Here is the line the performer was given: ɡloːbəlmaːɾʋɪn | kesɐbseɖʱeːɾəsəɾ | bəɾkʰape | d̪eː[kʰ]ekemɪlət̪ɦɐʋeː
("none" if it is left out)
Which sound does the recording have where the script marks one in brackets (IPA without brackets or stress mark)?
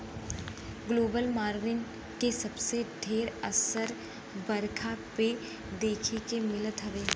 kʰ